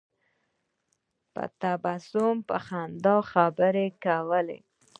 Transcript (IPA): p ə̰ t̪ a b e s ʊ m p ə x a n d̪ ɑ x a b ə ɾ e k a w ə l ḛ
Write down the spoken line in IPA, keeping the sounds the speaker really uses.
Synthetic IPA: p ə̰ t̪ a b a s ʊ m p ə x a n d̪ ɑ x a b ə ɾ e k a w ə l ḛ